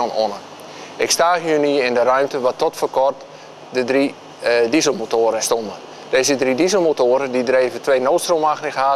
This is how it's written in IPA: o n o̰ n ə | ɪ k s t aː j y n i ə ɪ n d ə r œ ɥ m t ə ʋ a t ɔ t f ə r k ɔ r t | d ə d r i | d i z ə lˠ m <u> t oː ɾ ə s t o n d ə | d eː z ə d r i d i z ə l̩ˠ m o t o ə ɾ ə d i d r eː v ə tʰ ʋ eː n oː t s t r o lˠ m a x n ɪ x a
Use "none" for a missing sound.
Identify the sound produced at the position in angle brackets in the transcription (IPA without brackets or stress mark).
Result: o